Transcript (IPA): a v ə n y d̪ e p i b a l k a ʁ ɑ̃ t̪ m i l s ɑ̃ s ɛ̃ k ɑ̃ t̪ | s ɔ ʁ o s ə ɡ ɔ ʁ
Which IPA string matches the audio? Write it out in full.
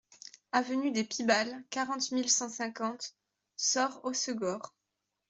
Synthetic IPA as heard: a v ə n y d̪ e p i b a l k a ʁ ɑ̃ t̪ m i l s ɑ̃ s ɛ̃ k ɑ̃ t̪ | s ɔ ʁ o s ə ɡ ɔ ʁ